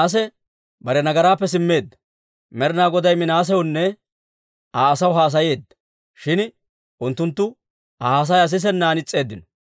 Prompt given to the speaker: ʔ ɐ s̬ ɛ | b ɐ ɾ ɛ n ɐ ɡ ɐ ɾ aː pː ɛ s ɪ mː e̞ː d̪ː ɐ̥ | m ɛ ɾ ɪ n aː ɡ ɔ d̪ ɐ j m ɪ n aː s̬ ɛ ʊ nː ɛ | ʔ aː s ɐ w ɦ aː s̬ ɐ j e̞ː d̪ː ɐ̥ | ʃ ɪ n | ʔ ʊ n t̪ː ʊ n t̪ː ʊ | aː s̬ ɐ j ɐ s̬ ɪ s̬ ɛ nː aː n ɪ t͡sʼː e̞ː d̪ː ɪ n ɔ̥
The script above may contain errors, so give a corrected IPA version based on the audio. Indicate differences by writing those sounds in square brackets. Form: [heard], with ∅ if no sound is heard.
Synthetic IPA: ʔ ɐ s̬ ɛ | b ɐ ɾ ɛ n ɐ ɡ ɐ ɾ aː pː ɛ s ɪ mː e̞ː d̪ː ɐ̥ | m ɛ ɾ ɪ n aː ɡ ɔ d̪ ɐ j m ɪ n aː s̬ ɛ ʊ nː ɛ | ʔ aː s ɐ w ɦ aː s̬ ɐ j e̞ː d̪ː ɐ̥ | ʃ ɪ n | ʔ ʊ n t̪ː ʊ n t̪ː ʊ | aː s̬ ɐ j ɐ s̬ ɪ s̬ ɛ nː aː n ɪ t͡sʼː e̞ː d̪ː ɪ n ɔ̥